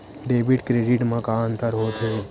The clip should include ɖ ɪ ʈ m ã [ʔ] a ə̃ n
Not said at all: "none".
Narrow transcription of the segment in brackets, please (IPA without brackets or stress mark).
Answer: k